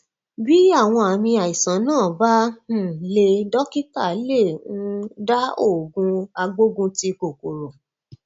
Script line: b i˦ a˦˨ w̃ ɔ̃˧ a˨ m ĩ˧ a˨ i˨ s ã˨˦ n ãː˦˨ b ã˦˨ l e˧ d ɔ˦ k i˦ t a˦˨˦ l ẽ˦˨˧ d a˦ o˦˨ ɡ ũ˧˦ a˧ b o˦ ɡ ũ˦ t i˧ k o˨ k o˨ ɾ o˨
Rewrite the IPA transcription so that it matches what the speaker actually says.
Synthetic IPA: b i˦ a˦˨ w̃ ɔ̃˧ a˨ m ĩ˧ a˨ i˨ s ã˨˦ n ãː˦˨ b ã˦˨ l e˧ d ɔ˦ k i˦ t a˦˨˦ l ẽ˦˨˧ d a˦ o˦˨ ɡ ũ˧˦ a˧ ɡ͡b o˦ ɡ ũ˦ t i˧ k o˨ k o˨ ɾ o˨